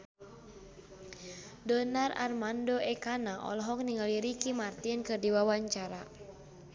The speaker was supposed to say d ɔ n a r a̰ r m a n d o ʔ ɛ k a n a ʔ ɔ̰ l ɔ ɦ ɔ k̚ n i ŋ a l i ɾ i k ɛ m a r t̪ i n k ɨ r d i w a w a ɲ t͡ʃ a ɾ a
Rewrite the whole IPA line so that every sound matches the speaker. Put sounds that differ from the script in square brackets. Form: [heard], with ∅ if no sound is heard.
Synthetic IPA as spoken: d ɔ n a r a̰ r m a n d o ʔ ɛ k a n a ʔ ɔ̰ l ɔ ɦ ɔ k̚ n i ŋ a l i ɾ i k [i] m a r t̪ i n k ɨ r d i w a w a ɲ t͡ʃ a ɾ a

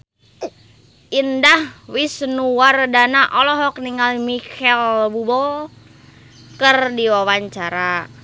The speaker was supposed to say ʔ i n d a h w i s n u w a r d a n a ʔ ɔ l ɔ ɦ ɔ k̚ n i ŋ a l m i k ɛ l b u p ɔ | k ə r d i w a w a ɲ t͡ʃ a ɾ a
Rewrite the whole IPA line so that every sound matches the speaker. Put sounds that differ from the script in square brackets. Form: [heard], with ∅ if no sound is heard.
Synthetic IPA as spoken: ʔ i n d a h w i s n u w a r d a n a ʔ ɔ l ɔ ɦ ɔ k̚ n i ŋ a l m i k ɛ l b u [b] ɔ | k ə r d i w a w a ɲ t͡ʃ a ɾ a

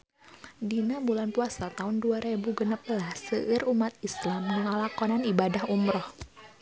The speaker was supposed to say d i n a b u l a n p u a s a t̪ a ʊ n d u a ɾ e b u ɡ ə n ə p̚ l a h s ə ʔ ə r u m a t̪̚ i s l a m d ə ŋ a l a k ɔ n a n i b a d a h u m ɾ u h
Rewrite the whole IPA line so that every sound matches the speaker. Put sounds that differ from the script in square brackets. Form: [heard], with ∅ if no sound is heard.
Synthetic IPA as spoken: d i n a b u l a n p u a s a t̪ a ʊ n d u a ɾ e b u ɡ ə n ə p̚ l a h s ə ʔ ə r u m a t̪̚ i s l a m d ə ŋ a l a k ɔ n a n i b a d a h u m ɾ [ɔ] h

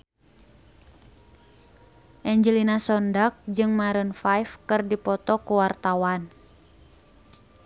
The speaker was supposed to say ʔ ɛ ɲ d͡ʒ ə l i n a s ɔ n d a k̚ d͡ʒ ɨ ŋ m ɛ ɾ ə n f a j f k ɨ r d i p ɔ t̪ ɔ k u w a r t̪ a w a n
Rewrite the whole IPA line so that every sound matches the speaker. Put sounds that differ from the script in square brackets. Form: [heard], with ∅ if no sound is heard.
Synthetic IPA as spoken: ʔ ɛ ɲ d͡ʒ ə l i n a s ɔ n d a k̚ d͡ʒ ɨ ŋ m [a] ɾ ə n f a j f k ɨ r d i p ɔ t̪ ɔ k u w a r t̪ a w a n

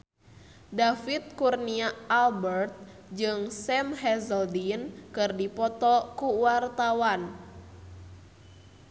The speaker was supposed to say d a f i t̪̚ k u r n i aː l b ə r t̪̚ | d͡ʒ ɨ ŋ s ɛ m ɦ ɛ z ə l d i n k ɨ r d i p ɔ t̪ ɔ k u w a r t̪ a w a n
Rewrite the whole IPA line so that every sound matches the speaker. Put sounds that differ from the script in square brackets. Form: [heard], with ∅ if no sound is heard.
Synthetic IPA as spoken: d a f i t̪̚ k u r n i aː l b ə r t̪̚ | d͡ʒ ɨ ŋ s ɛ m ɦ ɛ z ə l d i n k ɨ r d i p ɔ t̪ ɔ k u w a r t̪ a w a n

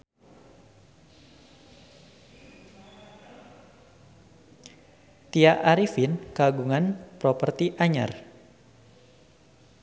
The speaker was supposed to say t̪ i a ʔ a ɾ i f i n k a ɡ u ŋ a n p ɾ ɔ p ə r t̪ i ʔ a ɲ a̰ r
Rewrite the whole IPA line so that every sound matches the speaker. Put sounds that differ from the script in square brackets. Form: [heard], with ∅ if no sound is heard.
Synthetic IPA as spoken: t̪ i a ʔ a ɾ i f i n k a ɡ u ŋ a n p ɾ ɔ p ə r t̪ i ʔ a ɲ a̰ r

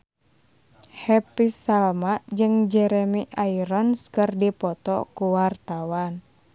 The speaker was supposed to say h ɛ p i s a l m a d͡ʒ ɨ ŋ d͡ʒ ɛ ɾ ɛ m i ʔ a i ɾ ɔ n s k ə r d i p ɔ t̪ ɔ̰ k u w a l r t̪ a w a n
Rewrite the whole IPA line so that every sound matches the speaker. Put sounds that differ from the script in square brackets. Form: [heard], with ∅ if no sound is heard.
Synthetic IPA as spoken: h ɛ p i s a l m a d͡ʒ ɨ ŋ d͡ʒ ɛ ɾ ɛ m i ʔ a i ɾ ɔ n s k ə r d i p ɔ t̪ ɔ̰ k u w a [∅] r t̪ a w a n

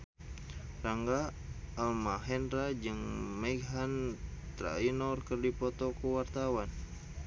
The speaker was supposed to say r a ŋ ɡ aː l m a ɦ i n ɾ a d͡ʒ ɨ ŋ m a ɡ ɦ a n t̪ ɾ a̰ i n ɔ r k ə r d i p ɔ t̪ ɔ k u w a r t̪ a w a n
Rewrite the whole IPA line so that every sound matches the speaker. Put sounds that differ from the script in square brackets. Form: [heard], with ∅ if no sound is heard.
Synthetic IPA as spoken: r a ŋ ɡ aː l m a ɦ [ɛ] n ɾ a d͡ʒ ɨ ŋ m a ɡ ɦ a n t̪ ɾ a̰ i n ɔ r k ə r d i p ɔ t̪ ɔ k u w a r t̪ a w a n

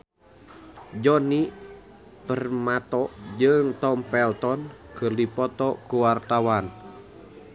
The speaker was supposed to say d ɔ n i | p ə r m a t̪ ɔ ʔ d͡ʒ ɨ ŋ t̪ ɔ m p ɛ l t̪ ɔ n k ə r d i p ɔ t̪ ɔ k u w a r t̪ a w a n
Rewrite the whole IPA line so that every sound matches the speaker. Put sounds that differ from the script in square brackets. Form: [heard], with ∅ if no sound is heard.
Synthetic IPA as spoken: [d͡ʒ] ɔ n i | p ə r m a t̪ ɔ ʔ d͡ʒ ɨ ŋ t̪ ɔ m p ɛ l t̪ ɔ n k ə r d i p ɔ t̪ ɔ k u w a r t̪ a w a n

